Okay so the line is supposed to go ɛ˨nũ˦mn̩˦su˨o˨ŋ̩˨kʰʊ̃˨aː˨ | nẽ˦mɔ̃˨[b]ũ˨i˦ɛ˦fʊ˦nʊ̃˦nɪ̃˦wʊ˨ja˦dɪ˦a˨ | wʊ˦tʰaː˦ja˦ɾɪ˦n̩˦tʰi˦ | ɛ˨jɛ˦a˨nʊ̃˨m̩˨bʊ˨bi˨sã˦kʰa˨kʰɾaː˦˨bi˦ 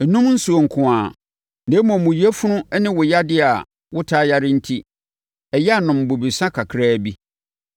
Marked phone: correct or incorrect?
incorrect